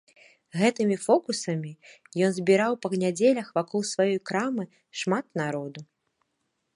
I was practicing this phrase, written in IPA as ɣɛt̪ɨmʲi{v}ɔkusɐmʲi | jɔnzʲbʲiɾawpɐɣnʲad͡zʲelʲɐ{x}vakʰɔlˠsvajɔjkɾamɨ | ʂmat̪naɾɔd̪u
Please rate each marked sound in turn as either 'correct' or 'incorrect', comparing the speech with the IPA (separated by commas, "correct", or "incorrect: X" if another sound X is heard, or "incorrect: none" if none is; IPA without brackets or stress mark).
incorrect: f, correct